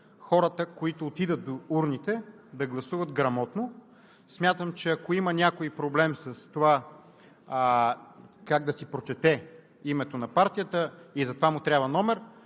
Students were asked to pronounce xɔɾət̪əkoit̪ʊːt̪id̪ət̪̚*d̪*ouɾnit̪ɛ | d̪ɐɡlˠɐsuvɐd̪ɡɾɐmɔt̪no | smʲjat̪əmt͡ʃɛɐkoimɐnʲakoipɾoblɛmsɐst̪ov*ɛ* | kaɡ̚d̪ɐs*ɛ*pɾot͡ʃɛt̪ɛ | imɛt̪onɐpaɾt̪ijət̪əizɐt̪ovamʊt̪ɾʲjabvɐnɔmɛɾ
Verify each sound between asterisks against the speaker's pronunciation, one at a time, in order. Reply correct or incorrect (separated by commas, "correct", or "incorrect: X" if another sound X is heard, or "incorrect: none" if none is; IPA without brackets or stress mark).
correct, incorrect: a, incorrect: i